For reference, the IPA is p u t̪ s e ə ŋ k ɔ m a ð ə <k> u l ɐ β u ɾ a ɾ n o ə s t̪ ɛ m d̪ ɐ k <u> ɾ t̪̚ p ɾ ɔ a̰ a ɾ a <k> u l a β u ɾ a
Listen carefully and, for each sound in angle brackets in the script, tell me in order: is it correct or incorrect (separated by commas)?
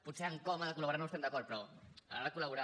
correct, incorrect, correct